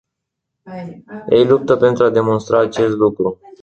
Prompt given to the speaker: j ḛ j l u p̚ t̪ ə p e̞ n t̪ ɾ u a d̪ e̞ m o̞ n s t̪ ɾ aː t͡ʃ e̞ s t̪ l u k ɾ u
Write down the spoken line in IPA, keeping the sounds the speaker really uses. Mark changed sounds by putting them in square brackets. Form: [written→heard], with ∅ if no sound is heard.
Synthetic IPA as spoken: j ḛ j l u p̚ t̪ ə p e̞ n t̪ ɾ u a d̪ e̞ m o̞ n s t̪ ɾ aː t͡ʃ e̞ s t̪ l u k ɾ u